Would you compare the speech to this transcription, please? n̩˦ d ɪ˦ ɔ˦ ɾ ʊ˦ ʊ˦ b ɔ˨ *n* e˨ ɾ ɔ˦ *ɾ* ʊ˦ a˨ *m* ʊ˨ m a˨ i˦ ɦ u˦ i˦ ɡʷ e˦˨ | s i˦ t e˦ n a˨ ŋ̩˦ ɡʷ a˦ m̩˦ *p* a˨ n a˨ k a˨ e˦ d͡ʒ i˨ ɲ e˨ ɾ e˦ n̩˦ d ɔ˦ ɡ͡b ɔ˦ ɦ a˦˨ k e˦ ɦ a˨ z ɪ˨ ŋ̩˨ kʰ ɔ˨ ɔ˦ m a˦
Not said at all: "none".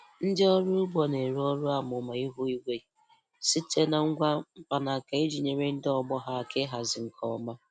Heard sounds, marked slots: n, ɾ, m, p

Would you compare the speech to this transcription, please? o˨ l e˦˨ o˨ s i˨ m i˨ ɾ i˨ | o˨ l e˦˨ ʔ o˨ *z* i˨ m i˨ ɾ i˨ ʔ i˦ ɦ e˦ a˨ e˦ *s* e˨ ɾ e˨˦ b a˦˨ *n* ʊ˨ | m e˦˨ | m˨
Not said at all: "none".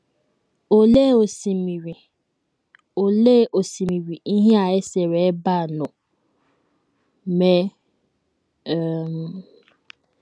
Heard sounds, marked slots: s, s, n

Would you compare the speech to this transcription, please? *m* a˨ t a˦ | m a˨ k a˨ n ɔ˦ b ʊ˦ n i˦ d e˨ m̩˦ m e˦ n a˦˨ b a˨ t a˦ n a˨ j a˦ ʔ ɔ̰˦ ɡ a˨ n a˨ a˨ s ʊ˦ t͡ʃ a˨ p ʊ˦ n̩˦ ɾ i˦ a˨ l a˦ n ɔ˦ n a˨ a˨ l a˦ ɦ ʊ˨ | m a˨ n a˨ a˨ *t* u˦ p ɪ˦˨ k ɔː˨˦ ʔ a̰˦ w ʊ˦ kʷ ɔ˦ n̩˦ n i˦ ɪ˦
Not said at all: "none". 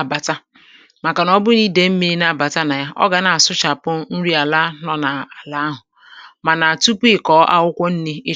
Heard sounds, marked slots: b, t

